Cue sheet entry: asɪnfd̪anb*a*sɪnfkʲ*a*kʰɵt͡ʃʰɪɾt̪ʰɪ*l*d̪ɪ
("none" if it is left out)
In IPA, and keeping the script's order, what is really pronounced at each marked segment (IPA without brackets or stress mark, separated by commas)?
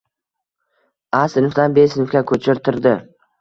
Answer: e, a, ɾ